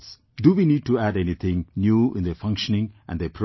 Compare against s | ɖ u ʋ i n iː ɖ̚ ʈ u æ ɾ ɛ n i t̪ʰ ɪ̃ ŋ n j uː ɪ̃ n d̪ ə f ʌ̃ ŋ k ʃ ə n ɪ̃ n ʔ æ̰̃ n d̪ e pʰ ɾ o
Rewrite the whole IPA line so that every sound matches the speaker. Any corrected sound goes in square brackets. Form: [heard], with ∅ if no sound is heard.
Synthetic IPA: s | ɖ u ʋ i n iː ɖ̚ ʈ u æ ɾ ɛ n i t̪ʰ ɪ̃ ŋ n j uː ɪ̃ n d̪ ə f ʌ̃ ŋ k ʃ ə n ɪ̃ [ŋ] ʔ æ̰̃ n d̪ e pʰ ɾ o